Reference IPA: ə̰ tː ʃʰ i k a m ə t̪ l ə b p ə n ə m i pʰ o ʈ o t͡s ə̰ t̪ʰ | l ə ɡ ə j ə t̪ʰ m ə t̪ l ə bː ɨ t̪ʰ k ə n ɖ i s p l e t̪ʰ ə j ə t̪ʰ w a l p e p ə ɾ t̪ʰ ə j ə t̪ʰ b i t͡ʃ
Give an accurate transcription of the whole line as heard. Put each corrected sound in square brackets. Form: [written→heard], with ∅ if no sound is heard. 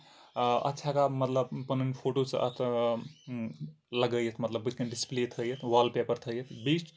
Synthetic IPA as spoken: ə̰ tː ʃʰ [i→a] k a m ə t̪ l ə b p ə n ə [m→n] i pʰ o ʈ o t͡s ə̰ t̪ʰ | l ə ɡ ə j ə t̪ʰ m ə t̪ l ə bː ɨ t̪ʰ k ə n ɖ i s p l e t̪ʰ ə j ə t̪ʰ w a l p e p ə ɾ t̪ʰ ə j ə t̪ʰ b i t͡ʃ